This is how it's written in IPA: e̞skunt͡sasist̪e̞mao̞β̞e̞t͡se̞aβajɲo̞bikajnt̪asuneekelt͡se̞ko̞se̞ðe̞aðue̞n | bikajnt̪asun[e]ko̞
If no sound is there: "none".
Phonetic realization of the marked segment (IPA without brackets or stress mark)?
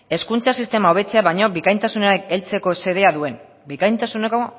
e